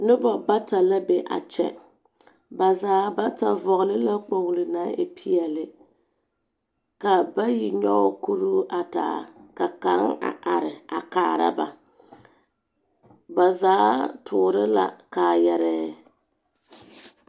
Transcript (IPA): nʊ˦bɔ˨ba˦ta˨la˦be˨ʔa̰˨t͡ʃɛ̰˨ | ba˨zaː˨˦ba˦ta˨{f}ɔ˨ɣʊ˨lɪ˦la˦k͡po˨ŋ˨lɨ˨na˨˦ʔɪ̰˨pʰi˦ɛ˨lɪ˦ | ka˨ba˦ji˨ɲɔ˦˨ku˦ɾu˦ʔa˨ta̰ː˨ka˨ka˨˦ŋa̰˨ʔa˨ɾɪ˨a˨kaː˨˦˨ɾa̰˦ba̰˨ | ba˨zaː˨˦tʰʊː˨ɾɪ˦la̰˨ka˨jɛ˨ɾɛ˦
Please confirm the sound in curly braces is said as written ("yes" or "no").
no